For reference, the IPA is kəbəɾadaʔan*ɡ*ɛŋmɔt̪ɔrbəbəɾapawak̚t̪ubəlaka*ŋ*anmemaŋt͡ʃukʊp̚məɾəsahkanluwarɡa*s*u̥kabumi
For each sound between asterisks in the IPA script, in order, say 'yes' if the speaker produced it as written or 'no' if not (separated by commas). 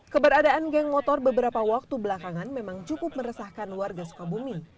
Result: yes, yes, yes